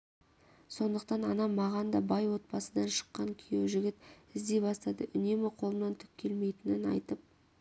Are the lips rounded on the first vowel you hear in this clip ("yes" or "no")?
yes